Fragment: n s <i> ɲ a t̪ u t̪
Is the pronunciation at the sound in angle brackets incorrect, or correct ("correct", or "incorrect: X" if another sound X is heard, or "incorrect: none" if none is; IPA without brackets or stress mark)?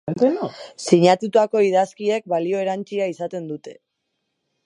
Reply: correct